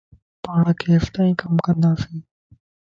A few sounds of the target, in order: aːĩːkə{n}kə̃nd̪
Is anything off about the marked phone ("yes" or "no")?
yes